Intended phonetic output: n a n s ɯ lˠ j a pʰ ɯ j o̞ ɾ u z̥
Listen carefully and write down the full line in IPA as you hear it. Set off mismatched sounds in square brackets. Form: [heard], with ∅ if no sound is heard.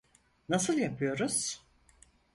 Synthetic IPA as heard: n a [∅] s ɯ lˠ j a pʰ ɯ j o̞ ɾ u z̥